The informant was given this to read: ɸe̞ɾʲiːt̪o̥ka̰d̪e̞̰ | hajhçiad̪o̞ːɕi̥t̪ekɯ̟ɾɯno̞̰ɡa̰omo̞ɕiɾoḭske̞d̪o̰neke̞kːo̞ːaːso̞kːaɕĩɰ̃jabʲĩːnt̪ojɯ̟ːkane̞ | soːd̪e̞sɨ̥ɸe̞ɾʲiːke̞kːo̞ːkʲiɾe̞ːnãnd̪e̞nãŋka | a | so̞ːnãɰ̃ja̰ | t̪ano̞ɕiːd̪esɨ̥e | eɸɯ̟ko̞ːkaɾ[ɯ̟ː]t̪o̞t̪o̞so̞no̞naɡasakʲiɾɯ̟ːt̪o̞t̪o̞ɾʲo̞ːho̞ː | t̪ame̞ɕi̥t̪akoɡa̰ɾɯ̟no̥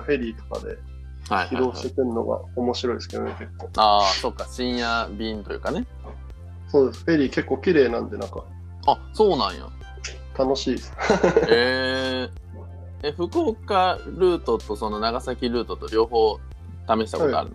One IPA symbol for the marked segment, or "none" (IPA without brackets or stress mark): ɯ̟ː